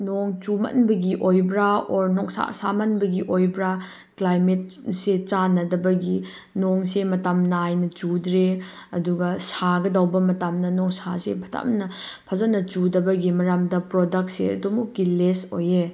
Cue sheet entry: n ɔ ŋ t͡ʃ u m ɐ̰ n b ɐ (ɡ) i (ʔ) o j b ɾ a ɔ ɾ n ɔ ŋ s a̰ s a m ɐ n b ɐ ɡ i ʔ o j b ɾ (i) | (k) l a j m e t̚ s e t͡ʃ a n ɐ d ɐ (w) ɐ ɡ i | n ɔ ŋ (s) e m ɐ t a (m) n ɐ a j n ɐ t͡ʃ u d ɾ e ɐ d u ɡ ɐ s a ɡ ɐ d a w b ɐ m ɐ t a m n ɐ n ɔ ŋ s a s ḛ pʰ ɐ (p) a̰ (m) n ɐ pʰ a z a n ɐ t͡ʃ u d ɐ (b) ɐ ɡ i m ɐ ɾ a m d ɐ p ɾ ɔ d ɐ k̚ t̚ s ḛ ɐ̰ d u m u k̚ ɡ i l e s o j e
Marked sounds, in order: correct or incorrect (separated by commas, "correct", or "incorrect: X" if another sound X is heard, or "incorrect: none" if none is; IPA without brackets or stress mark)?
correct, correct, incorrect: a, correct, incorrect: b, correct, correct, incorrect: t, correct, correct